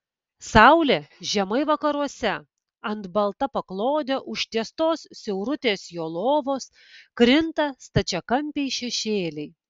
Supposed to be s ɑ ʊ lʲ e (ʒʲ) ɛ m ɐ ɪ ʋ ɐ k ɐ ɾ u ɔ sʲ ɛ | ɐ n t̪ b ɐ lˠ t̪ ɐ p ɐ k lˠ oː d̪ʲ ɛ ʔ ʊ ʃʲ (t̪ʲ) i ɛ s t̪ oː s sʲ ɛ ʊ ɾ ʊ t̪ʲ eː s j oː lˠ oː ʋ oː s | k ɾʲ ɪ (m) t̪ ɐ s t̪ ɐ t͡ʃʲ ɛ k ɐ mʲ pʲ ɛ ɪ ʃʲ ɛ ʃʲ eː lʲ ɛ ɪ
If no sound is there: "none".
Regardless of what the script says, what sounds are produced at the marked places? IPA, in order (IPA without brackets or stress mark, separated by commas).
ʒʲ, t̪ʲ, n